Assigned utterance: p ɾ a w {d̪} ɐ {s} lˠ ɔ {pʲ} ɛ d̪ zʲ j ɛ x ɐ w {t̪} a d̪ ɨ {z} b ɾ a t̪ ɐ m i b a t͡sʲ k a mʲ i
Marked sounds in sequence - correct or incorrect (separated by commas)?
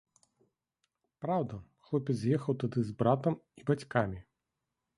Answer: correct, incorrect, correct, correct, correct